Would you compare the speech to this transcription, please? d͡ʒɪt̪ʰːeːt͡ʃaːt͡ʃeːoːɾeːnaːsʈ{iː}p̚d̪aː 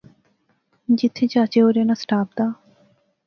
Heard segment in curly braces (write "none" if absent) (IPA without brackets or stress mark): aː